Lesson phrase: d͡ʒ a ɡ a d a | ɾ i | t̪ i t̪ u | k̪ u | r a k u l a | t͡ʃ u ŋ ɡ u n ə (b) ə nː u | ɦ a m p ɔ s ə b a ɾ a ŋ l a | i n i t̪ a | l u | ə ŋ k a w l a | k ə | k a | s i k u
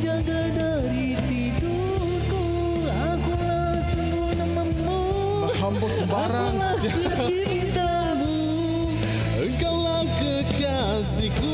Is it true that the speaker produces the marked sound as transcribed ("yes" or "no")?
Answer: no